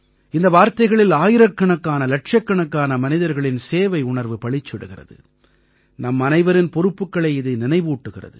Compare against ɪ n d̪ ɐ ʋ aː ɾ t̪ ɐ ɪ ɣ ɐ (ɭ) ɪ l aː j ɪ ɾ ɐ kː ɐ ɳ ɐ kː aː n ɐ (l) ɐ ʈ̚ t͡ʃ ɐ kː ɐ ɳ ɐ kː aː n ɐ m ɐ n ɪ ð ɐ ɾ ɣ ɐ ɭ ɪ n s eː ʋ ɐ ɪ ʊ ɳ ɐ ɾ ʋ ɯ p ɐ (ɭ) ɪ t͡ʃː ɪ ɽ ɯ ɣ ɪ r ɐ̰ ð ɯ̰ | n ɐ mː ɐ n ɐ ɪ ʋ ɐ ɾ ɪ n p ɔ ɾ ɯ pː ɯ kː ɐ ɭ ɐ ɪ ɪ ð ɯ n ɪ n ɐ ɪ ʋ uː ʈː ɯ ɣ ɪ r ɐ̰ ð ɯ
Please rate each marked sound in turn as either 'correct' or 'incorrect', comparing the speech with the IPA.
correct, correct, correct

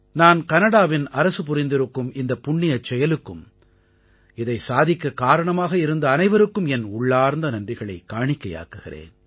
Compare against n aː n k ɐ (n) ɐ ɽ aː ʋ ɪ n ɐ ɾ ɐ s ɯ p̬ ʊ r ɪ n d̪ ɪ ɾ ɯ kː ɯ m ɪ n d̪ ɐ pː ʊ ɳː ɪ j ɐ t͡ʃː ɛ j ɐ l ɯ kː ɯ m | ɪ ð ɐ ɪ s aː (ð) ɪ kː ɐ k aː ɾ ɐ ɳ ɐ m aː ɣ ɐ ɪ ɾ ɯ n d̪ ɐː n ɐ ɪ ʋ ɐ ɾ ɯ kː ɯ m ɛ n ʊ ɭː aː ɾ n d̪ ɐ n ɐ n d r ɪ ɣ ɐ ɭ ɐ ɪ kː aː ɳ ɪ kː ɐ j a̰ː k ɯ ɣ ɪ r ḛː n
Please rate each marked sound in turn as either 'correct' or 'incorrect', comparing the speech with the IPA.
correct, correct

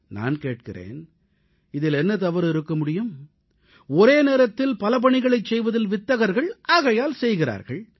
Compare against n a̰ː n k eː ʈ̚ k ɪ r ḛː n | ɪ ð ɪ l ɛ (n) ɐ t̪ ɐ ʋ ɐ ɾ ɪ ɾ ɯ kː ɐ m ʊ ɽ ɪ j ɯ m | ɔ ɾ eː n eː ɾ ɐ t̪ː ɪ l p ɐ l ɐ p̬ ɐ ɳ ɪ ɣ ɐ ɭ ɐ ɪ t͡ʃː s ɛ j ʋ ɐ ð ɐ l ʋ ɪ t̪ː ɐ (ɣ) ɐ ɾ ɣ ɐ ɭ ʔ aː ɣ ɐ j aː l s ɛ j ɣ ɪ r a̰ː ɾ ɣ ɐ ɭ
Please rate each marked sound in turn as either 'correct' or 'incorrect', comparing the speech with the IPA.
incorrect: nː, correct

